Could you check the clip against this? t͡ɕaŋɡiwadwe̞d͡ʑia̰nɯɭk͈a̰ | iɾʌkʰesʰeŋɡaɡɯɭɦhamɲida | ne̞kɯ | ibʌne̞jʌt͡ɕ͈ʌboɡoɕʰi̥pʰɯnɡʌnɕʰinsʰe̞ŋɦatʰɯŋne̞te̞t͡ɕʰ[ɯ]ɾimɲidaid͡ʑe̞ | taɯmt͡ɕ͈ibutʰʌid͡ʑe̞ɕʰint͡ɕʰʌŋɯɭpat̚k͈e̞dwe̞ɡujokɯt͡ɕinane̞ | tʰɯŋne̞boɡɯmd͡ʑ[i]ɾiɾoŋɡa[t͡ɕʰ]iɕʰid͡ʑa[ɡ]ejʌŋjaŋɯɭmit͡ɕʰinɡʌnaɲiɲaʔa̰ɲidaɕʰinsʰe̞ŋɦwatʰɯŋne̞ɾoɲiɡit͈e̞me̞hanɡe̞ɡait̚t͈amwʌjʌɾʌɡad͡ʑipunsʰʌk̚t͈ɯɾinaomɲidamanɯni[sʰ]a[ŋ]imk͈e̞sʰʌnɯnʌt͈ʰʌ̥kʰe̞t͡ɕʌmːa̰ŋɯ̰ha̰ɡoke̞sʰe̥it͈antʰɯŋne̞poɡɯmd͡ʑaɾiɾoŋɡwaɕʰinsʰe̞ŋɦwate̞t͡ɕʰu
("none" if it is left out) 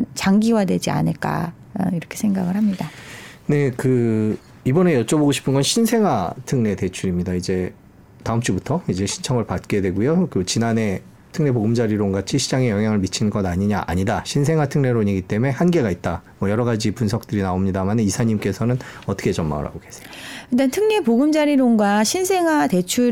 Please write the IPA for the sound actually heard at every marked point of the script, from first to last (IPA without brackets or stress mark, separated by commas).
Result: u, a, t͡ɕʰ, ŋ, sʰ, ɲ